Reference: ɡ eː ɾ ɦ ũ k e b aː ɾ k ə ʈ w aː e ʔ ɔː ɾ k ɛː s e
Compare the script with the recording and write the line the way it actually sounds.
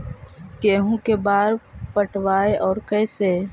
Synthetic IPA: k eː ɦ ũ k e b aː ɾ p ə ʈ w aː e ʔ ɔː ɾ k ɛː s e